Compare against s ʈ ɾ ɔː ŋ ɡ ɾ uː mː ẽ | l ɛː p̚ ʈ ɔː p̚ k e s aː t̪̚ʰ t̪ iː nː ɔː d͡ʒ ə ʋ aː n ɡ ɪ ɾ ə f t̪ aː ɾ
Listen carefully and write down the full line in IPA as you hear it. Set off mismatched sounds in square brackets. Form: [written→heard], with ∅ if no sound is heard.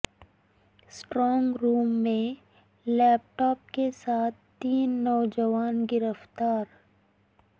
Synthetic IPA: s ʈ ɾ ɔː ŋ ɡ ɾ uː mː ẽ | l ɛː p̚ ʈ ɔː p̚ k e s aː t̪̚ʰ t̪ iː nː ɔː d͡ʒ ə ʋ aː n ɡ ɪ ɾ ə f t̪ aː ɾ